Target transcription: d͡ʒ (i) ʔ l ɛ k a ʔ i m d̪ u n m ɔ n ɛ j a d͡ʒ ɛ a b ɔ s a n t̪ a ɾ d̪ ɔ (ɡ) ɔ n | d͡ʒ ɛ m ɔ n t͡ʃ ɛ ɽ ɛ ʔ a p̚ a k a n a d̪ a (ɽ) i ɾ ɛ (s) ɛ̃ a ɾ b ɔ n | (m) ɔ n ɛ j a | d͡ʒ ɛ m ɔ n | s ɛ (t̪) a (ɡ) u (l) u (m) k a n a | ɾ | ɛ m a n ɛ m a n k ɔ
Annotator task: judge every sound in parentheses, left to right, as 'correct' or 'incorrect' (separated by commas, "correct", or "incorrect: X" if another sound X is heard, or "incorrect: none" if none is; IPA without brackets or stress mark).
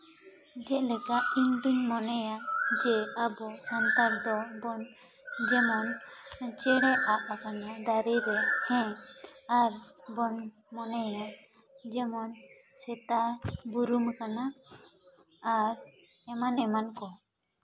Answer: incorrect: ɛ, incorrect: b, incorrect: ɾ, incorrect: h, correct, correct, incorrect: b, incorrect: ɾ, correct